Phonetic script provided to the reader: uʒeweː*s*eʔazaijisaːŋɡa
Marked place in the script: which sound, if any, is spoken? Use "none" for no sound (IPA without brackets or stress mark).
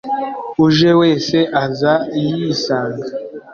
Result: s